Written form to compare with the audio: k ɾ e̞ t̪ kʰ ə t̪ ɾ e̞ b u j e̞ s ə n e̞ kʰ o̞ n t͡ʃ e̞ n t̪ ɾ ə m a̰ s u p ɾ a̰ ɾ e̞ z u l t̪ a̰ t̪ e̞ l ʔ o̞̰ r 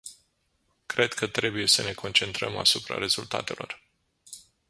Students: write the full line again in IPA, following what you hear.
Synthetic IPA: k ɾ e̞ d̪ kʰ ə t̪ ɾ e̞ b u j e̞ s ə n e̞ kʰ o̞ n t͡ʃ e̞ n t̪ ɾ ə m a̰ s u p ɾ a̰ ɾ e̞ z u l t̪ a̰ t̪ e̞ l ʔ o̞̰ r